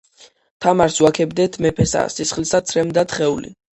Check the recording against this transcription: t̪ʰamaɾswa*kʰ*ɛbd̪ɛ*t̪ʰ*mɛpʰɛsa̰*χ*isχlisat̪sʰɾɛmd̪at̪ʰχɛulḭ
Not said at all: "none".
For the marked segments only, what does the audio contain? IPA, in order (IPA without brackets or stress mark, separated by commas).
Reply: kʰ, t̪ʰ, s